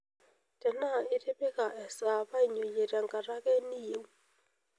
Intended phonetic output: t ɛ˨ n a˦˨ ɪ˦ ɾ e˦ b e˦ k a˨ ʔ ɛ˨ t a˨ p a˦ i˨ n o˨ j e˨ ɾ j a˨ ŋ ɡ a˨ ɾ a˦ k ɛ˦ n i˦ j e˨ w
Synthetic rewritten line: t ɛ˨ n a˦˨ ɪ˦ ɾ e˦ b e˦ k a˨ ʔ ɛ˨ s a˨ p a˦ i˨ ɲ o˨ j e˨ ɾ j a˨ ŋ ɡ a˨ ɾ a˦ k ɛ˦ n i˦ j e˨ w